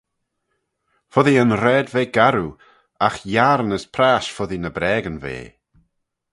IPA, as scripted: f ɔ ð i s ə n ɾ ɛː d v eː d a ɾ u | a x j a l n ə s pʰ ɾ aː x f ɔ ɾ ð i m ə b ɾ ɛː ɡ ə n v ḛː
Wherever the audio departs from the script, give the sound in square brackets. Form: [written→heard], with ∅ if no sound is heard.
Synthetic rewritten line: f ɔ ð i [s→∅] ə n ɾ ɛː d v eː [d→ɡ] a ɾ u | a x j a [l→ɾ] n ə s pʰ ɾ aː [x→ʃ] f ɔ [ɾ→∅] ð i [m→n] ə b ɾ ɛː ɡ ə n v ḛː